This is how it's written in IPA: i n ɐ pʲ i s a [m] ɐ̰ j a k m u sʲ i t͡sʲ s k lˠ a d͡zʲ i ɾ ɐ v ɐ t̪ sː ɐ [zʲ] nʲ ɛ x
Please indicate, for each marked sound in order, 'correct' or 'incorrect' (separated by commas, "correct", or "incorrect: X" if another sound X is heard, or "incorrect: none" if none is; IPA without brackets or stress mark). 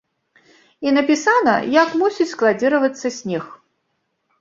incorrect: n, incorrect: sʲ